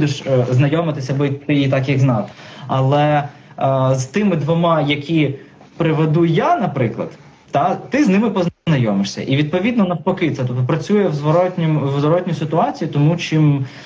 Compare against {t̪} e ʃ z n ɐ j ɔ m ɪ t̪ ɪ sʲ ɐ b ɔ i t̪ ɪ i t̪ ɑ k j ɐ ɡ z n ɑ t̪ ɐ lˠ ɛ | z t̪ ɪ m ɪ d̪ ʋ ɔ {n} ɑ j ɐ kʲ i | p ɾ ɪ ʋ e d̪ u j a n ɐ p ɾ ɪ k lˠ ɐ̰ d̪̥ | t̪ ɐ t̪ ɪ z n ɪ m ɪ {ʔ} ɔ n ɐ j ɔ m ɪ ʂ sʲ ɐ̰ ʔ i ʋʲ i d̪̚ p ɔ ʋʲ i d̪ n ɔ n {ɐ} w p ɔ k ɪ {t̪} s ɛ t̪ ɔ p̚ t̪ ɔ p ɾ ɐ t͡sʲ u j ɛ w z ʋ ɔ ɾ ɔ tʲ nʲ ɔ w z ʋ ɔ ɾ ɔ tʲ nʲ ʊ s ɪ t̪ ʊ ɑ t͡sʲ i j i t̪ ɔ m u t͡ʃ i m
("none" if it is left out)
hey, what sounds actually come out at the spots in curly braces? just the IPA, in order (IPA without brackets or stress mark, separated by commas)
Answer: d̪, m, p, ɐ, t̪